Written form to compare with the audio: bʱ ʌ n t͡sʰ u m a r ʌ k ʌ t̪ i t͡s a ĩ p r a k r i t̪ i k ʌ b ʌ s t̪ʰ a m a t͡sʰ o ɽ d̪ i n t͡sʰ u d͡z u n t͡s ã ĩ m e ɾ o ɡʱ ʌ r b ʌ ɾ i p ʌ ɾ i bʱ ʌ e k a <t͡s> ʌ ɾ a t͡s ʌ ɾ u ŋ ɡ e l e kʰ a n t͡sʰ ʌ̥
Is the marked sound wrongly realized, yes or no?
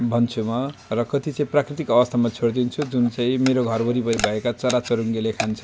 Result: no